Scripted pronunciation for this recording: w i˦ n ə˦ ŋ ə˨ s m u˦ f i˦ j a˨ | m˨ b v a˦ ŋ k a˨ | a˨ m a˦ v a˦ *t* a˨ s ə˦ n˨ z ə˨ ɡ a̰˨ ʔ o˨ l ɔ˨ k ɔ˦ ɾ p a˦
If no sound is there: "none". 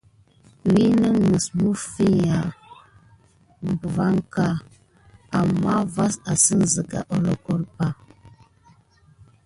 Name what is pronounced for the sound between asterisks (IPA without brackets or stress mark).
s